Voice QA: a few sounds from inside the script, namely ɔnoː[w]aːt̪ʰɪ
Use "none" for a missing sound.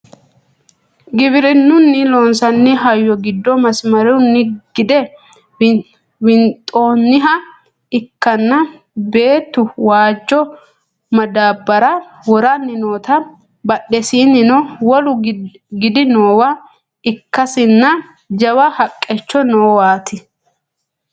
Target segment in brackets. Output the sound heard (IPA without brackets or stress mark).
w